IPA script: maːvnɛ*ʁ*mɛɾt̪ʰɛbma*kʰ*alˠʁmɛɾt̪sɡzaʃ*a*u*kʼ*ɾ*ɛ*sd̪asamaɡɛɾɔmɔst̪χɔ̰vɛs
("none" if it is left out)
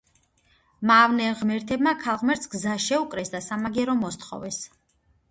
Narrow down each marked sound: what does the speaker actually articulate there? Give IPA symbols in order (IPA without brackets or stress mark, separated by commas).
ʁ, kʰ, ɛ, kʼ, ɛ